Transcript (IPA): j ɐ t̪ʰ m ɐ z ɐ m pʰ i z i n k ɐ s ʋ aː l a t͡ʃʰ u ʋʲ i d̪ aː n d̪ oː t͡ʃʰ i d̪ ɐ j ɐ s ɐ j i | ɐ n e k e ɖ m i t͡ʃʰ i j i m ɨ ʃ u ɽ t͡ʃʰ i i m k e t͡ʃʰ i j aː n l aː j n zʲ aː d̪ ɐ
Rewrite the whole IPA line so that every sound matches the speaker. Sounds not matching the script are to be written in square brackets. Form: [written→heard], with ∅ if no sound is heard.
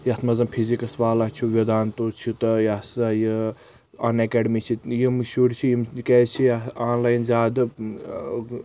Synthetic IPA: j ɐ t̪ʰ m ɐ z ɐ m pʰ i z i [n→∅] k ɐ s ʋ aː l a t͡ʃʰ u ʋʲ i d̪ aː n [d̪→t̪] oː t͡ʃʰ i [d̪→t̪] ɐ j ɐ s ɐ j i | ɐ n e k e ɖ m i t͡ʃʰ i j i m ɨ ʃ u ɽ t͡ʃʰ i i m k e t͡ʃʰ i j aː n l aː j n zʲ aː d̪ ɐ

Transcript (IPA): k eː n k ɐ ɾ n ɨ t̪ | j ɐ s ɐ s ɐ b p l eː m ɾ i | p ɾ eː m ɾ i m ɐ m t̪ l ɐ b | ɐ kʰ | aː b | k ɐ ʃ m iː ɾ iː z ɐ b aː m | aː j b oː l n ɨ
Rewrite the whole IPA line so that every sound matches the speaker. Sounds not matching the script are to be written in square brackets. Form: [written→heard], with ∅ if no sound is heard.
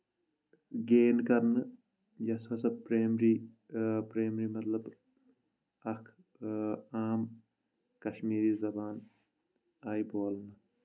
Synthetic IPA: [k→ɡ] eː n k ɐ ɾ n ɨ [t̪→∅] | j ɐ s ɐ s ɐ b p [l→ɾ] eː m ɾ i | p ɾ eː m ɾ i m ɐ [m→∅] t̪ l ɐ b | ɐ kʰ | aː [b→m] | k ɐ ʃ m iː ɾ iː z ɐ b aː [m→n] | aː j b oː l n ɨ

